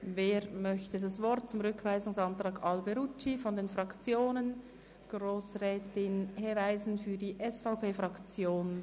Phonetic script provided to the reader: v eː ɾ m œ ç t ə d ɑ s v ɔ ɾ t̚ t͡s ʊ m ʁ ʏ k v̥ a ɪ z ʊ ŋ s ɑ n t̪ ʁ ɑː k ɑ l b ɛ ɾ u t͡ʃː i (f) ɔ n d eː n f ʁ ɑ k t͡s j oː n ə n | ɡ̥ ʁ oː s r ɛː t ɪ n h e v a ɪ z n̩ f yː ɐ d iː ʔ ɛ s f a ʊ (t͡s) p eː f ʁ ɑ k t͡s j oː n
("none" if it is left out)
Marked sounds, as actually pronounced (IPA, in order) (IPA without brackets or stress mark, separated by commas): f, none